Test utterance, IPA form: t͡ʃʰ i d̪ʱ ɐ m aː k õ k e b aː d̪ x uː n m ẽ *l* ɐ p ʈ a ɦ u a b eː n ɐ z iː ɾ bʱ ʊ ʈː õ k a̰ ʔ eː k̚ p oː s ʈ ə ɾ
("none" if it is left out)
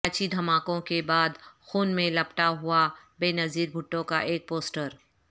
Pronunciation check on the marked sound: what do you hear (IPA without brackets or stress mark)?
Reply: l